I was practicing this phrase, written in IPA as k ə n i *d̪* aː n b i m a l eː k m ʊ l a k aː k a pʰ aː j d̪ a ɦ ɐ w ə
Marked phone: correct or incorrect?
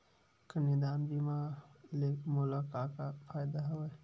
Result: correct